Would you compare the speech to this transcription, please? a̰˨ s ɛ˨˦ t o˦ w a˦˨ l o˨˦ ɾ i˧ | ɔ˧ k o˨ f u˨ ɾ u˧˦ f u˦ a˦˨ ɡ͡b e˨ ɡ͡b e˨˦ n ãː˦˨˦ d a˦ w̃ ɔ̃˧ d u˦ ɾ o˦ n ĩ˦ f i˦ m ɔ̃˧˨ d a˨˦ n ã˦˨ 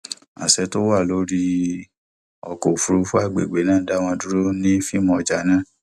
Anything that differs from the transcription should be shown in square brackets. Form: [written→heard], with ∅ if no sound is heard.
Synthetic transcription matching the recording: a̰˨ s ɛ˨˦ t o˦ w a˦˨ l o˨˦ ɾ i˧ | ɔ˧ k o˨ f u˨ ɾ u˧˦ f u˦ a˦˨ ɡ͡b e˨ ɡ͡b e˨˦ n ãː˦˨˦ d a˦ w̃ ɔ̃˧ d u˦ ɾ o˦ n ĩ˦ f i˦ m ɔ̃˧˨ [d→d͡ʒ] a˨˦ n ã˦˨